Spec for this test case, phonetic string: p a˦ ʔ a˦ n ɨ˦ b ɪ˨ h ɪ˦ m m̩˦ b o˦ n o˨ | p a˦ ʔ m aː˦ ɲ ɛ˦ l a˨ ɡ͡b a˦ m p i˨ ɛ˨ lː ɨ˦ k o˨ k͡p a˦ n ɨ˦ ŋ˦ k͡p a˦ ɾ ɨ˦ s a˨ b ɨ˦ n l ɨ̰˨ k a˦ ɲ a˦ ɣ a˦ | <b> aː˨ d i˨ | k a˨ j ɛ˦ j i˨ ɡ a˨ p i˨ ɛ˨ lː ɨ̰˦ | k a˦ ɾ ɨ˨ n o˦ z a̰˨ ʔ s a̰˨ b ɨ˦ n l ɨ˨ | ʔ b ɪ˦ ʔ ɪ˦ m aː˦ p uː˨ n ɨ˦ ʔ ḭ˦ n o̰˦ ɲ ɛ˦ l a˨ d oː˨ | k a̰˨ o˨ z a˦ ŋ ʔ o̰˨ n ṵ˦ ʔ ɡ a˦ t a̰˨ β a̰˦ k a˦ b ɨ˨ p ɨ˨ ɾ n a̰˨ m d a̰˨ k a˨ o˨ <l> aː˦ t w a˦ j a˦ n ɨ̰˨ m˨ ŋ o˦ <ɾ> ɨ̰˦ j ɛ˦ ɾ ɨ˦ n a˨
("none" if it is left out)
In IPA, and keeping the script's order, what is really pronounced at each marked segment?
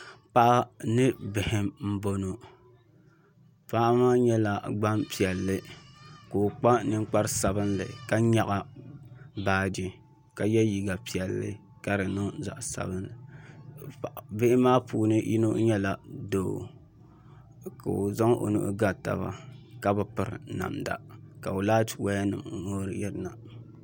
b, l, ɾ

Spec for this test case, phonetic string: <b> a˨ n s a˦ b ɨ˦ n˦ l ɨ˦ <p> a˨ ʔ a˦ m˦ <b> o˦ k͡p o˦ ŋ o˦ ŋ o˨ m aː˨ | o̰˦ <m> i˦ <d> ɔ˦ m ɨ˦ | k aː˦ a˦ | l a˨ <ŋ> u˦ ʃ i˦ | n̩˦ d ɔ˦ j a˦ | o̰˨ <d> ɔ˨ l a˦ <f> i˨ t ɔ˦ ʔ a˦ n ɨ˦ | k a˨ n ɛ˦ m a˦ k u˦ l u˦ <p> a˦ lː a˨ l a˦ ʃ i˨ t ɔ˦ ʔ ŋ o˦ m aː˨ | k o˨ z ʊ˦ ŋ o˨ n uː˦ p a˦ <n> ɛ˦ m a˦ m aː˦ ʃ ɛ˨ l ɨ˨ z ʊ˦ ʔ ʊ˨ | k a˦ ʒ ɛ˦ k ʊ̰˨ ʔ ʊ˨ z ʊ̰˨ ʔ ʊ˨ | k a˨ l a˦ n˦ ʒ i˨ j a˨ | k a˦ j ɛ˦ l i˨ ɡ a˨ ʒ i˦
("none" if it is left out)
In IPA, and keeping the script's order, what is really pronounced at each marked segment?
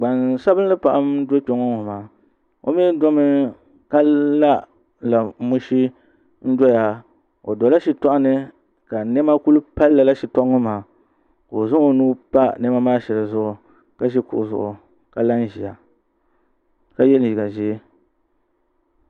ɡ͡b, p, d, m, d, m, d, ʃ, p, n

